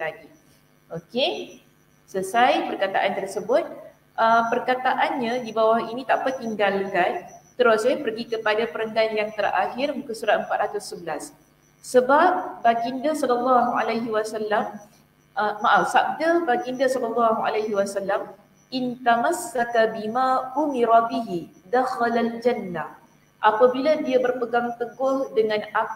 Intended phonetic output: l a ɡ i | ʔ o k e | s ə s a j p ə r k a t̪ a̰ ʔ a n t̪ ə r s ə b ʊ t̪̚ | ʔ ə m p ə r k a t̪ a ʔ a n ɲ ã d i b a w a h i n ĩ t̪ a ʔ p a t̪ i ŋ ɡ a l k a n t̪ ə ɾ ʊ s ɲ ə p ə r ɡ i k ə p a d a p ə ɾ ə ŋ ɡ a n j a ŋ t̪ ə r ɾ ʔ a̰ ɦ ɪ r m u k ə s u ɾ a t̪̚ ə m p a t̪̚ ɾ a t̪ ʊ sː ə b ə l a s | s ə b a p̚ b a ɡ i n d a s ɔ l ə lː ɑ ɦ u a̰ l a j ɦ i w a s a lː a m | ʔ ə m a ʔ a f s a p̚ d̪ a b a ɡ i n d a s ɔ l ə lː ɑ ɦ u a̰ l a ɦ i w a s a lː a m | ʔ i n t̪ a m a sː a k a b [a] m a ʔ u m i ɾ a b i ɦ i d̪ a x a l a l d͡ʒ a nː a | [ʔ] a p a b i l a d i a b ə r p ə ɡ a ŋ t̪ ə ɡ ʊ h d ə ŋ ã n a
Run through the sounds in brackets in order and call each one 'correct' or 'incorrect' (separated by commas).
incorrect, correct